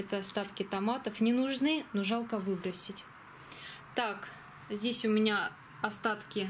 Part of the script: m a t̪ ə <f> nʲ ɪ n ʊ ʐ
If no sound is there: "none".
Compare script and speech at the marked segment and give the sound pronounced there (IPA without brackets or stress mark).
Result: f